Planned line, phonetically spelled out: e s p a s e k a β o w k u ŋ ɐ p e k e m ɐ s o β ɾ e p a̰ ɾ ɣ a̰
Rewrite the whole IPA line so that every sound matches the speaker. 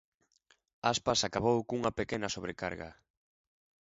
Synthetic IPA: a s p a s a k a β o w k u ŋ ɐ p e k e n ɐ s o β ɾ e k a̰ ɾ ɣ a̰